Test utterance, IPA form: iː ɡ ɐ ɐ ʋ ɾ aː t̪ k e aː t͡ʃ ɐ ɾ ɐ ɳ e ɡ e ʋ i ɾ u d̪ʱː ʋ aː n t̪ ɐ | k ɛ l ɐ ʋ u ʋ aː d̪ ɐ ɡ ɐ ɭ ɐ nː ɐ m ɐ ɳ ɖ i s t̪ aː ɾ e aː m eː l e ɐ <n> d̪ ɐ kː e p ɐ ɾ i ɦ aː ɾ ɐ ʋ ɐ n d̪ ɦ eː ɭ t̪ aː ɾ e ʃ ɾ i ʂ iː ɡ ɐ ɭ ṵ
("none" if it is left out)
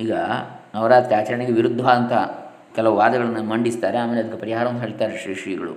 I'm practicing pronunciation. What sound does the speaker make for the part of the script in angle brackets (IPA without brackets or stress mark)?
none